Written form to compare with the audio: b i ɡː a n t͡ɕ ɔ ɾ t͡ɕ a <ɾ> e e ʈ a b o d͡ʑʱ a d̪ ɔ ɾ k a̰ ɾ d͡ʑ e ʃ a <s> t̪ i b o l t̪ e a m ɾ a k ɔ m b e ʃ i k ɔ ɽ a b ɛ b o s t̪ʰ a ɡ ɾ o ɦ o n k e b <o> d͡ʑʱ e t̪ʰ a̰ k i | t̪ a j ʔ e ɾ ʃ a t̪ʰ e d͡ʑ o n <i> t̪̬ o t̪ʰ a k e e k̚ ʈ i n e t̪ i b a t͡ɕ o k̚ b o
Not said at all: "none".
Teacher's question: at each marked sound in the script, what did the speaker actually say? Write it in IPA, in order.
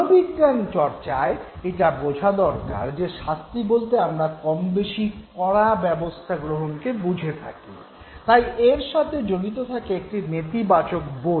none, s, u, i

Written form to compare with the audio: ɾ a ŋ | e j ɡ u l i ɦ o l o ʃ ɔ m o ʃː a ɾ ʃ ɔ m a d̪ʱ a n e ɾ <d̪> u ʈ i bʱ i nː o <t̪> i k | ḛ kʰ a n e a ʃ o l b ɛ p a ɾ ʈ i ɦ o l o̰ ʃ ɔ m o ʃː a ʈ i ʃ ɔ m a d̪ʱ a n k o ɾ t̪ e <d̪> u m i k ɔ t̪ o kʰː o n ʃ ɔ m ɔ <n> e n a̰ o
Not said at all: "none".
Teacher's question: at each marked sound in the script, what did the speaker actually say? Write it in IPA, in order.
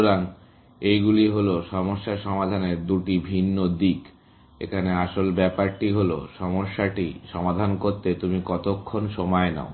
d̪, d̪, t̪, none

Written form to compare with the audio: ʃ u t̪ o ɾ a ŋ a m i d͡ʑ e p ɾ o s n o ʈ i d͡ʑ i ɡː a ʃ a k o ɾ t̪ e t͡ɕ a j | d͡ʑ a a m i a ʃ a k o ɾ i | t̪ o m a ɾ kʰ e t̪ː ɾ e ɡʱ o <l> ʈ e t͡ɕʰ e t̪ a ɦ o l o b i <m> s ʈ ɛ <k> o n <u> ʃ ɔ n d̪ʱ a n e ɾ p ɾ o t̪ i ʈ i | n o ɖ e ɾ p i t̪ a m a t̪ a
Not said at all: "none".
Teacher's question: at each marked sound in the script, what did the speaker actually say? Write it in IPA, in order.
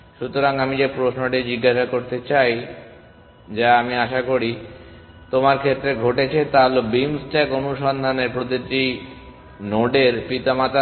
none, m, k, u

